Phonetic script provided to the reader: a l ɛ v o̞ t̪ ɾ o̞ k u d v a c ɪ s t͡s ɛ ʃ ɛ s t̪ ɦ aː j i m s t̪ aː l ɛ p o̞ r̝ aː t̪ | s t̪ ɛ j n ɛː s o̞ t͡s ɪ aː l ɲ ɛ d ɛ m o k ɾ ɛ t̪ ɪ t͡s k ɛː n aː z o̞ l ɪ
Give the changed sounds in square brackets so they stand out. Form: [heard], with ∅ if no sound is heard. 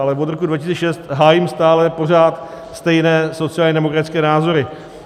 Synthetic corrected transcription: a l ɛ v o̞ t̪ ɾ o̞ k u d v a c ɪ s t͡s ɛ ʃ ɛ s t̪ ɦ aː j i m s t̪ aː l ɛ p o̞ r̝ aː t̪ | s t̪ ɛ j n ɛː s o̞ t͡s ɪ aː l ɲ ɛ d ɛ m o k ɾ [a] t̪ ɪ t͡s k ɛː n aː z o̞ [ɾ] ɪ